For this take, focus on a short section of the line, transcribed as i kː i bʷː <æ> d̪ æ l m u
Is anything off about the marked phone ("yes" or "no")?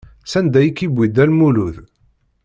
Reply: yes